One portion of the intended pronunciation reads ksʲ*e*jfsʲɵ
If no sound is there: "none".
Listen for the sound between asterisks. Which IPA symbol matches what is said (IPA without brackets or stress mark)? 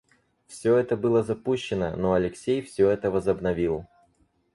e